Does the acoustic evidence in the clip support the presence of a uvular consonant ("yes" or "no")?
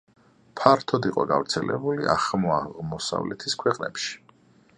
yes